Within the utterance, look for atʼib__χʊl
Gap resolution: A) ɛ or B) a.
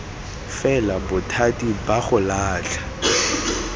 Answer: B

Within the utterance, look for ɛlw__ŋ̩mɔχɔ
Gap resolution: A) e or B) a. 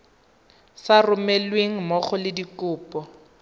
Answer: A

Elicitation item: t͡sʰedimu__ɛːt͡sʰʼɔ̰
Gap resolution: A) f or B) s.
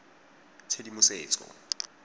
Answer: B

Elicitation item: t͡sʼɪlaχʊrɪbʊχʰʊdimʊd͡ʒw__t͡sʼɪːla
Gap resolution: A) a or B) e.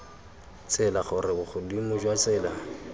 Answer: A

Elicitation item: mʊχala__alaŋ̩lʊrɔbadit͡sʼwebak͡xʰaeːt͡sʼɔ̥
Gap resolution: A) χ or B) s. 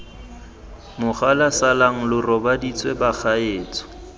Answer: B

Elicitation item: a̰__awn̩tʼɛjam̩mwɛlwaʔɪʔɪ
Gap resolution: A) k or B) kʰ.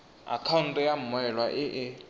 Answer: B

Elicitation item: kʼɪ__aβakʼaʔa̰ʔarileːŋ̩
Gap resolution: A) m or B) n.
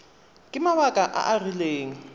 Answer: A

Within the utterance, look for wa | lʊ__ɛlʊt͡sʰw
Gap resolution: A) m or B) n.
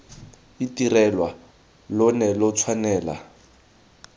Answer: B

